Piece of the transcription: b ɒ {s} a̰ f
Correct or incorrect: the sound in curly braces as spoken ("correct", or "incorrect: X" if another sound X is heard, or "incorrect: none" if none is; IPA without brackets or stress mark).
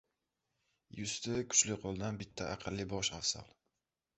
incorrect: ʃ